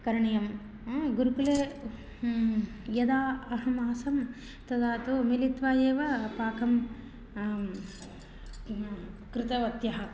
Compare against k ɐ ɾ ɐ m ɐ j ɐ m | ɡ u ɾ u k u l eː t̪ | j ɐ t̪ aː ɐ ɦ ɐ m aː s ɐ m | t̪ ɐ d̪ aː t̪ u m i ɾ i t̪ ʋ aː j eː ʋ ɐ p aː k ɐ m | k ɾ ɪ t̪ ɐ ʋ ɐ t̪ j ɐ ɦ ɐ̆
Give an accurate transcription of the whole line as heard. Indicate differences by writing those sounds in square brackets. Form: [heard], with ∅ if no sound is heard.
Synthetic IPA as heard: k ɐ ɾ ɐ [ɳ] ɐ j ɐ m | ɡ u ɾ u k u l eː [∅] | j ɐ [d̪] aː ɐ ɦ ɐ m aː s ɐ m | t̪ ɐ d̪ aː t̪ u m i [l] i t̪ ʋ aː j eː ʋ ɐ p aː k ɐ m | k ɾ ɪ t̪ ɐ ʋ ɐ t̪ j ɐ ɦ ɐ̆